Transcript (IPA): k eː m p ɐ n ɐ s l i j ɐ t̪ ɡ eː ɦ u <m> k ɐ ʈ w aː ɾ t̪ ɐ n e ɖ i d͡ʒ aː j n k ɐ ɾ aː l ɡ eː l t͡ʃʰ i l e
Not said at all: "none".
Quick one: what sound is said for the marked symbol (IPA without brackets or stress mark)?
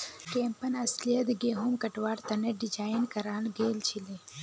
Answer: m